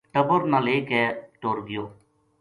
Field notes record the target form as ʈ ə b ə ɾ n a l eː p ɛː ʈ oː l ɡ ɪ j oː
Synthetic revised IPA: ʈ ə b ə ɾ n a l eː k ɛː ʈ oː ɾ ɡ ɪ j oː